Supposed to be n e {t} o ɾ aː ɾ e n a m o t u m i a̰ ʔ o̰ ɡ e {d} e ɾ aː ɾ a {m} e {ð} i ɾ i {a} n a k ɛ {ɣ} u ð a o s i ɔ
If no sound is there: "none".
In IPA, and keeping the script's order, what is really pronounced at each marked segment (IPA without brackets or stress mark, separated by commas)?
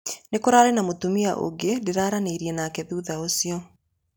k, d, n, none, ɛ, ð